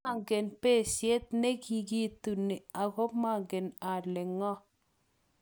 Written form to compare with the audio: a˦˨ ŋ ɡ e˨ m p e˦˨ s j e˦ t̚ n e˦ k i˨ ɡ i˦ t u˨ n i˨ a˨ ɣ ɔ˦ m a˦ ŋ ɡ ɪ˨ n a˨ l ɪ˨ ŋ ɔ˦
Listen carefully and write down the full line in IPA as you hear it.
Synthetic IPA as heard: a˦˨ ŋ ɡ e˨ n p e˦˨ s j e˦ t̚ n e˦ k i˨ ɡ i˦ t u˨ n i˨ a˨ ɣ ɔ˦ m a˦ ŋ ɡ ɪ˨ n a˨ l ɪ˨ ŋ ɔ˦

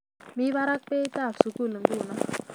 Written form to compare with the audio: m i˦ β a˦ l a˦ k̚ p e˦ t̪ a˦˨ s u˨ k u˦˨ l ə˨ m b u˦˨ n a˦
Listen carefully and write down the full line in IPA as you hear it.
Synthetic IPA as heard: m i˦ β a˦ ɾ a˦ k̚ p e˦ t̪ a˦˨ s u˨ k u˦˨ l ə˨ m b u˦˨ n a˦

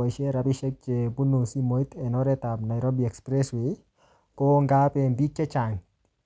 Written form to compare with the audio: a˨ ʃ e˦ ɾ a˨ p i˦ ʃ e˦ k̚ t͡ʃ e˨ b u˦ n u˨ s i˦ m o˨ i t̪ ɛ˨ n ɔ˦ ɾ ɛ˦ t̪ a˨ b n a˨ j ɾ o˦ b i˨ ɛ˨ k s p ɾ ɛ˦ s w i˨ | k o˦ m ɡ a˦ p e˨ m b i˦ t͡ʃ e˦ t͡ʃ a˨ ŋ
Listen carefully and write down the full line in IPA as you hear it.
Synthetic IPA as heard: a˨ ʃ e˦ ɾ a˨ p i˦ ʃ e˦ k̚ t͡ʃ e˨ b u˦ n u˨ s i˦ m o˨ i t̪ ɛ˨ n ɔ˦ ɾ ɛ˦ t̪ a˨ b n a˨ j ɾ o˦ b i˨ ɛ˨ k s p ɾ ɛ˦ s w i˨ | k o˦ ŋ ɡ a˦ p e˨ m b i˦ t͡ʃ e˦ t͡ʃ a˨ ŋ

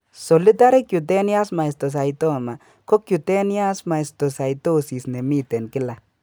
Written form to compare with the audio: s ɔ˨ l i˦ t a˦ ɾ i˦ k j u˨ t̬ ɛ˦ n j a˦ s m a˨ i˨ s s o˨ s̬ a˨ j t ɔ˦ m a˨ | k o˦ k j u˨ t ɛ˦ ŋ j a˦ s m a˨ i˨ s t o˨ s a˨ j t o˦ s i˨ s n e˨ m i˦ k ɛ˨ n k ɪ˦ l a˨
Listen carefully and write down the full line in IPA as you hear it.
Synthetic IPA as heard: s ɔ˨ l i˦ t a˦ ɾ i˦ k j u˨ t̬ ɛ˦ n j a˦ s m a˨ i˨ s t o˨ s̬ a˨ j t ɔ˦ m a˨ | k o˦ k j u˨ t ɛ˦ n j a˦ s m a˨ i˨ s t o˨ s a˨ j t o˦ s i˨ s n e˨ m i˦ t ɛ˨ n k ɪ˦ l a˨

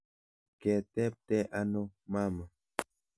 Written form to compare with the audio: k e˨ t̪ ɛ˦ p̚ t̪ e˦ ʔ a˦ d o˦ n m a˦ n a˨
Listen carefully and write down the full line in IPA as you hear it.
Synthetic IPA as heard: k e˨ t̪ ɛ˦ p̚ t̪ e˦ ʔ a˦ n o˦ m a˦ m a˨

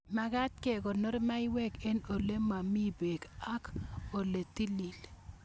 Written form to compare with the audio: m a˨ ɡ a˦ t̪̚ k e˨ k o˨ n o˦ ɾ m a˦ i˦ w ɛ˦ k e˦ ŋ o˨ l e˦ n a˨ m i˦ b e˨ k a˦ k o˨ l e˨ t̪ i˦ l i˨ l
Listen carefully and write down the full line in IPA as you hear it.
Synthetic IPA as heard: m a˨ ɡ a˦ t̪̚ k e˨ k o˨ n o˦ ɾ m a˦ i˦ w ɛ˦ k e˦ n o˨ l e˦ m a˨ m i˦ b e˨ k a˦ k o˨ l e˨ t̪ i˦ l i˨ l

